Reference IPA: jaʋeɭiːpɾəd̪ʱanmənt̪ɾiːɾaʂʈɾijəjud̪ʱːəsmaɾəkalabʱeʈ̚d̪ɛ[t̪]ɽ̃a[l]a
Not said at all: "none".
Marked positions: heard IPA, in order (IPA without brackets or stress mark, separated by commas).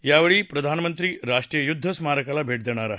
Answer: none, ɾ